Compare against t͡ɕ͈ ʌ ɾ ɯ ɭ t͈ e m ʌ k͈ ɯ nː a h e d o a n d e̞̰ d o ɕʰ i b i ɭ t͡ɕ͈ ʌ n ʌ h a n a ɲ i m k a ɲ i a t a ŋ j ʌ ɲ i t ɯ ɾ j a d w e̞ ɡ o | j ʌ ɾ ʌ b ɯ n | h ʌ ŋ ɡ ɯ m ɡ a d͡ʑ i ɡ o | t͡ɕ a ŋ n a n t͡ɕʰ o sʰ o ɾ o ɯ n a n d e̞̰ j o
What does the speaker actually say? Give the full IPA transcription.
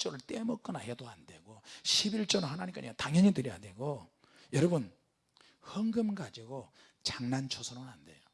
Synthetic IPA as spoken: t͡ɕ͈ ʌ ɾ ɯ ɭ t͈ e m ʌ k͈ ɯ n a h e d o a n d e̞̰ ɡ o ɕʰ i b i ɭ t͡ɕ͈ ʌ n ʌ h a n a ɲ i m k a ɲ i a t a ŋ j ʌ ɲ i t ɯ ɾ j a d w e̞ ɡ o | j ʌ ɾ ʌ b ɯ n | h ʌ ŋ ɡ ɯ m ɡ a d͡ʑ i ɡ o | t͡ɕ a ŋ n a n t͡ɕʰ o sʰ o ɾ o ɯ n a n d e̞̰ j o